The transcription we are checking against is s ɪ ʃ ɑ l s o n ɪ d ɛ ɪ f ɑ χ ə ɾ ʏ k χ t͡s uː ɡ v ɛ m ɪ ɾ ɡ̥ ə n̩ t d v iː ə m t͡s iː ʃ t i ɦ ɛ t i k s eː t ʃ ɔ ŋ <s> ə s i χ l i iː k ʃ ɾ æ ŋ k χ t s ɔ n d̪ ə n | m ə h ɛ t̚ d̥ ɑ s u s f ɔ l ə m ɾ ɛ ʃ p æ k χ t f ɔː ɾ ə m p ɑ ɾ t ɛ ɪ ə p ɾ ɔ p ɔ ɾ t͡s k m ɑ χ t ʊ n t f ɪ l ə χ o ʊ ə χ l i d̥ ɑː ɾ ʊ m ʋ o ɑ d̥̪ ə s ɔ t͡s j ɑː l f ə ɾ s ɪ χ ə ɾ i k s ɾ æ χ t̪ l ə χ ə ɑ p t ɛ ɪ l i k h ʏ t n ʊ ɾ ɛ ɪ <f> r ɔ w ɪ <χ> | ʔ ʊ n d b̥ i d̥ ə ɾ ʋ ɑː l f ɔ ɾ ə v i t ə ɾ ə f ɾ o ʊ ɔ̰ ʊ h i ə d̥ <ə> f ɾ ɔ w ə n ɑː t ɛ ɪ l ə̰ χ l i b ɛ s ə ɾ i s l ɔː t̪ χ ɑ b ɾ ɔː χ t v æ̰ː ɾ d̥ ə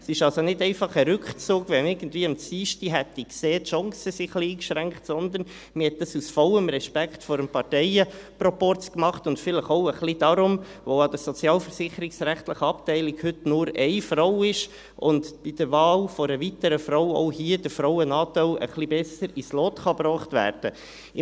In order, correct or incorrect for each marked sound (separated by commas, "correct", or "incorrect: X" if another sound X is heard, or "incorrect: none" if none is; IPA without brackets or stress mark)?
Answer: correct, correct, incorrect: ʃ, correct